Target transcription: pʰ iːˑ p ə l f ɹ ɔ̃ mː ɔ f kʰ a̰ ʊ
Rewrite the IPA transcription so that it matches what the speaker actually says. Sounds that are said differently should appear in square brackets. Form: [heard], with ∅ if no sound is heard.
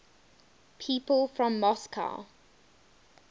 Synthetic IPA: pʰ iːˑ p ə l f ɹ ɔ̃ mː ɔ [s] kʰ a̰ ʊ